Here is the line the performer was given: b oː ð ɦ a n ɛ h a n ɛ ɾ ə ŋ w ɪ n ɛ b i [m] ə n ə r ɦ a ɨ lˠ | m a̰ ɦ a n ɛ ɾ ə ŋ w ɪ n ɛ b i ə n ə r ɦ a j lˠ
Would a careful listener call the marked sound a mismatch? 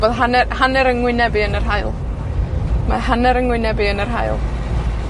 yes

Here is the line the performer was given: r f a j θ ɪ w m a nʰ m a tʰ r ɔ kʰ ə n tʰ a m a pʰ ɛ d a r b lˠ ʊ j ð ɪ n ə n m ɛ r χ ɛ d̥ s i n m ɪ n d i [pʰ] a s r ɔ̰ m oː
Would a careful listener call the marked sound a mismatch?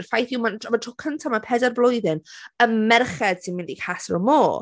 yes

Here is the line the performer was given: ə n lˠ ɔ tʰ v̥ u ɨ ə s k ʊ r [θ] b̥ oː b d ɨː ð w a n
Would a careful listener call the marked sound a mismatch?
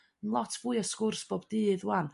yes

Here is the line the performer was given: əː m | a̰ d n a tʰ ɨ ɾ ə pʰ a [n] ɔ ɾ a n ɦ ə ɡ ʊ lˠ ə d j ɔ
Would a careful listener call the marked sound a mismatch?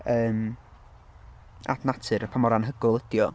yes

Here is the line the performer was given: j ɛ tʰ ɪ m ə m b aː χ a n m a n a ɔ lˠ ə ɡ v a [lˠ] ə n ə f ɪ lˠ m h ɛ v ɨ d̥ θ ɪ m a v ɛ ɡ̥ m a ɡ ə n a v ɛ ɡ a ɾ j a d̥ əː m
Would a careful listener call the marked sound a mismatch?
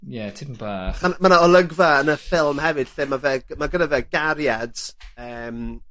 yes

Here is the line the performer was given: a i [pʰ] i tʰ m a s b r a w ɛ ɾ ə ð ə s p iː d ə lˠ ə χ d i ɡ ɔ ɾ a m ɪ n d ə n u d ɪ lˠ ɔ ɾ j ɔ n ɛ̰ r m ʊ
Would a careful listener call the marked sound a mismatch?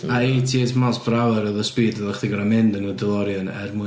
yes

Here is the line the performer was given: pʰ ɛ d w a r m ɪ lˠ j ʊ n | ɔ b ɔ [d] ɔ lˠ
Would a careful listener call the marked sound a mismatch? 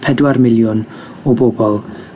yes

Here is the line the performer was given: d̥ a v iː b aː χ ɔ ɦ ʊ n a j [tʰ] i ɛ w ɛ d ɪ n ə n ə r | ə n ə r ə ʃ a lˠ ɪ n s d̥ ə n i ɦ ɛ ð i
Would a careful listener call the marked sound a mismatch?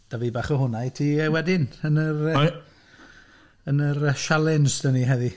no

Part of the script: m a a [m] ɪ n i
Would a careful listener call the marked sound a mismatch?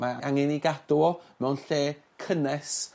yes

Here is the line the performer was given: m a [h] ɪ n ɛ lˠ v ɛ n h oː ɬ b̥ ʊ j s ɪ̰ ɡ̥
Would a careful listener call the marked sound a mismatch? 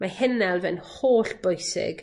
no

